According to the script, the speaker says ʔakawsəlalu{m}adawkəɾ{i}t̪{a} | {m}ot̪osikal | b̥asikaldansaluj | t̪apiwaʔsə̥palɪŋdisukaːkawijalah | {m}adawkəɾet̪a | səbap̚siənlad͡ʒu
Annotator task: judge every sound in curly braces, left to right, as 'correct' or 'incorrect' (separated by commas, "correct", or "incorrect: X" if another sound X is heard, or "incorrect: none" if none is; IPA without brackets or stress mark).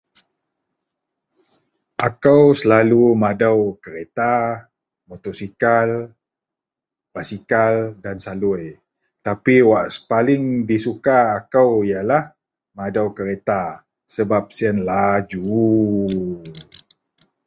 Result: correct, incorrect: e, correct, correct, correct